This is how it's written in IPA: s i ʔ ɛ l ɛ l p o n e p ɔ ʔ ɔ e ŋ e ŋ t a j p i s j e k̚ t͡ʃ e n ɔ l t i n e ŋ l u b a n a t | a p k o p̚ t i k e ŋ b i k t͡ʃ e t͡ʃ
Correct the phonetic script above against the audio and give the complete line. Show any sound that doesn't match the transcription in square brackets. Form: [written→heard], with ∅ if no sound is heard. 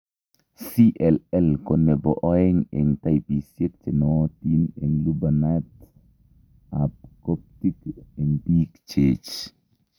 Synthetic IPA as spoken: s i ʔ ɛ l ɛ l [p→k] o n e [p→b] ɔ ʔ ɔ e ŋ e ŋ t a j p i s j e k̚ t͡ʃ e n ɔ [l→∅] t i n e ŋ l u b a n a t | a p k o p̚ t i k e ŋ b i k t͡ʃ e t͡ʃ